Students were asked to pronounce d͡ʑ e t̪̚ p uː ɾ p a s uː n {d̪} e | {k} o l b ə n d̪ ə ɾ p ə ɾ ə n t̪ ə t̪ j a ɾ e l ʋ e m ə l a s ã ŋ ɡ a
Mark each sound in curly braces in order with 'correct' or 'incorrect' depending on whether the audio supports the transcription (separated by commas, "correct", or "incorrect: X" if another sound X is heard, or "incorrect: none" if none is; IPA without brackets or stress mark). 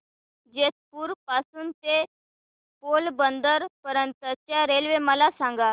incorrect: t̪, incorrect: p